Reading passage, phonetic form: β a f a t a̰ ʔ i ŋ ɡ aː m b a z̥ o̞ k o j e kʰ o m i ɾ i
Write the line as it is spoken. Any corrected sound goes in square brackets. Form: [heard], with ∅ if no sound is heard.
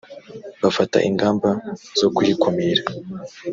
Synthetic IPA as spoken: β a f a t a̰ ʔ i ŋ ɡ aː m b a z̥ o̞ k [u] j [i] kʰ o m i ɾ [a]